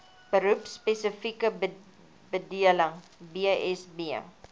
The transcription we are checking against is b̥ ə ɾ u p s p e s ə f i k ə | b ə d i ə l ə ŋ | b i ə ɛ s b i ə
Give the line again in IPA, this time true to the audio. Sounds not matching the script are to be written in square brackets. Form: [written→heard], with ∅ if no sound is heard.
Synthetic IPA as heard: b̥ ə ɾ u p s p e s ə f i k ə | b ə d i ə l ə ŋ | b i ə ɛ s b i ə